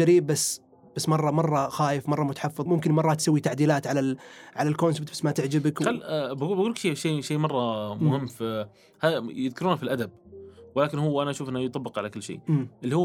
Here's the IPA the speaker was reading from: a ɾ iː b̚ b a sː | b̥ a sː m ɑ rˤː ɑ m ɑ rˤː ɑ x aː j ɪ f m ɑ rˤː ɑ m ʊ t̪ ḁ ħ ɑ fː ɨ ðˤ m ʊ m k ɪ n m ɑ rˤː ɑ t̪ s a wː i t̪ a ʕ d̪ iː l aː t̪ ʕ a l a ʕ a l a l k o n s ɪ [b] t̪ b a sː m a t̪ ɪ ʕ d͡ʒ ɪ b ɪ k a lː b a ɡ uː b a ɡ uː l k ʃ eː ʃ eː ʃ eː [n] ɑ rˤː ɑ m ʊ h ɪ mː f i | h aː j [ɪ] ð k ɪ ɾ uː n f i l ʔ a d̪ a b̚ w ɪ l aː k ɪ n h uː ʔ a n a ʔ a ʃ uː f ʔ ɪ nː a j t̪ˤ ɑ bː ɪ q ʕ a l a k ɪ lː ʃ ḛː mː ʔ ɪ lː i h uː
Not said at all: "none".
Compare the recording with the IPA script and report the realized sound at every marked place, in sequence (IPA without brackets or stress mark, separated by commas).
b, m, ɪ